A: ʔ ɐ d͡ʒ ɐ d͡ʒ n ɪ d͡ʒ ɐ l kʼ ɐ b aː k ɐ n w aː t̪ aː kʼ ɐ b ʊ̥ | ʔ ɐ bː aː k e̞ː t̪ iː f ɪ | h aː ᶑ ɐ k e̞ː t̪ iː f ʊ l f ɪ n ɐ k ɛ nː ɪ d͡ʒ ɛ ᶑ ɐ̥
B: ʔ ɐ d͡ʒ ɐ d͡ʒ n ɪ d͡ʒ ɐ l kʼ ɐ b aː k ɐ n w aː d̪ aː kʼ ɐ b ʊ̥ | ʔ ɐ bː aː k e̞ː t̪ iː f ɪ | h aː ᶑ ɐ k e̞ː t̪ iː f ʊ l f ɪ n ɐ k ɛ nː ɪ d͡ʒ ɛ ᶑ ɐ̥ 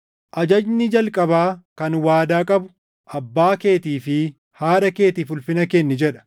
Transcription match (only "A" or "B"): B